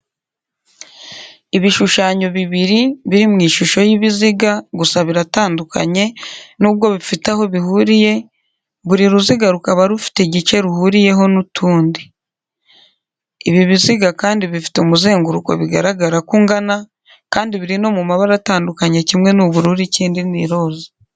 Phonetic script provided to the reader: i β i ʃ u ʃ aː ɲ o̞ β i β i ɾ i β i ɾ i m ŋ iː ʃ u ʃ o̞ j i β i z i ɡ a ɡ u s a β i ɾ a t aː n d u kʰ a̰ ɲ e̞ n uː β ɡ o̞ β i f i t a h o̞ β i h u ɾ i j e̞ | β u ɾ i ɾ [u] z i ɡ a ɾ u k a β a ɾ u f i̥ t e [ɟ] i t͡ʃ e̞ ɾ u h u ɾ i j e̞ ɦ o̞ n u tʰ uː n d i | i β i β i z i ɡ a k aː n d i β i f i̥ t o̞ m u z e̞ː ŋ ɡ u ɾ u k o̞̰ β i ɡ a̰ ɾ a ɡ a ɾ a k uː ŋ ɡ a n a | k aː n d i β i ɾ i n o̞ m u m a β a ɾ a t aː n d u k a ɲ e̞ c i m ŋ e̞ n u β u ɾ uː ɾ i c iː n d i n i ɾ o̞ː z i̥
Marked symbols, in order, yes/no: yes, yes

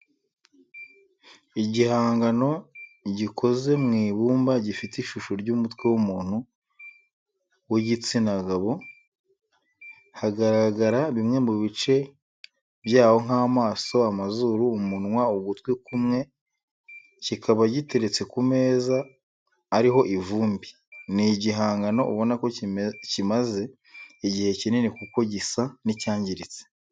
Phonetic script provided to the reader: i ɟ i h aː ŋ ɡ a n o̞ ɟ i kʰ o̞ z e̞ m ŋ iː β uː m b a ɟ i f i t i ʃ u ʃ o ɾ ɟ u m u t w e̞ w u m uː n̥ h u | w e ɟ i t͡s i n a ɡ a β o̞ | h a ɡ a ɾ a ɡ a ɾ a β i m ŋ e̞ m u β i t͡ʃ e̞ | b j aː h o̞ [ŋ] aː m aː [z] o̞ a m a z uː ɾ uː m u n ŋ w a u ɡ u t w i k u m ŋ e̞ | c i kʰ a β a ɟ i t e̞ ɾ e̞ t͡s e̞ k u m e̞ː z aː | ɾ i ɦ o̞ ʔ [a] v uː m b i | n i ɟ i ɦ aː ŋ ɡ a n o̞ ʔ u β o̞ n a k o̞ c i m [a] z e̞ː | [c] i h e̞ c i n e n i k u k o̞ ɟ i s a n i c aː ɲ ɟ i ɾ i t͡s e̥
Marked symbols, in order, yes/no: yes, no, no, yes, no

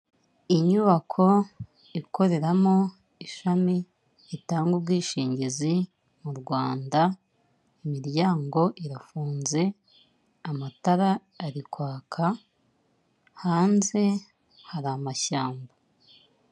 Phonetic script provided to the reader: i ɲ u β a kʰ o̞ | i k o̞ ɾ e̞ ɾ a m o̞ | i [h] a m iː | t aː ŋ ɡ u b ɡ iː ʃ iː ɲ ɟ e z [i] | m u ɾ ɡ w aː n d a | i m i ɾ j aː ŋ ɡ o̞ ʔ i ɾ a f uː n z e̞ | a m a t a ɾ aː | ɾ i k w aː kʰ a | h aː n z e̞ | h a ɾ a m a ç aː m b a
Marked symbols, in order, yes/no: no, yes

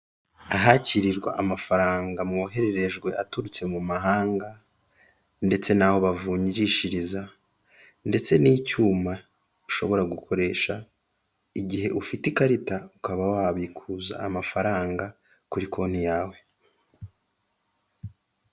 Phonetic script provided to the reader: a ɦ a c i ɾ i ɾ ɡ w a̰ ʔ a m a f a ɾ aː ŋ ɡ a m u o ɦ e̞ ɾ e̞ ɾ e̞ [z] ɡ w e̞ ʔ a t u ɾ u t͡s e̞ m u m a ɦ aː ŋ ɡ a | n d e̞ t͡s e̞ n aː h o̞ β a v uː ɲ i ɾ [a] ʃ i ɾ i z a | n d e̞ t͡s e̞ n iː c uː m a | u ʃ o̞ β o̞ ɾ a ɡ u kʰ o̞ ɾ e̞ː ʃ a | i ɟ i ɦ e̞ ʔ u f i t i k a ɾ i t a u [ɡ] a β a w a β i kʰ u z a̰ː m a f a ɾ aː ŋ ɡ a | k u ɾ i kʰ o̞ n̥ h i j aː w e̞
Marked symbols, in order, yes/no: no, no, no

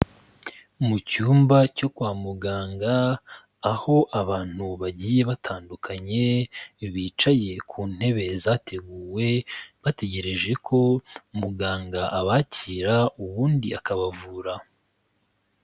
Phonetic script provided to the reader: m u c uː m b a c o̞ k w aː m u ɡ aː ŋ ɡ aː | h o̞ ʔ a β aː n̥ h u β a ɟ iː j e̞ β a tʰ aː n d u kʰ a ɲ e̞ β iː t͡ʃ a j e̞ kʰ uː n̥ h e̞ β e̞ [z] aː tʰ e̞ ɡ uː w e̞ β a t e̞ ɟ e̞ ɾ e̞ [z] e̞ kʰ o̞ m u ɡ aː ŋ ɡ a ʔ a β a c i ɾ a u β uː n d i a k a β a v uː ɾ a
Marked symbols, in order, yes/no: yes, no

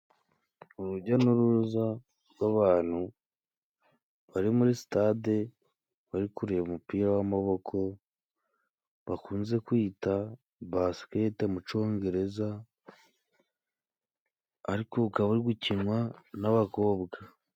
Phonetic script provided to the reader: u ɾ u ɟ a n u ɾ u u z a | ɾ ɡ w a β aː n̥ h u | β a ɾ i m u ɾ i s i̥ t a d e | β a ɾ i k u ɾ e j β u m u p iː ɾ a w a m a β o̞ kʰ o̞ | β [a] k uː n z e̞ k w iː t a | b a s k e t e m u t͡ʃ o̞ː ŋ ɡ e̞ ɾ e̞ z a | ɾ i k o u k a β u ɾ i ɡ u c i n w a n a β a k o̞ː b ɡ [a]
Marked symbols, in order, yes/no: yes, yes

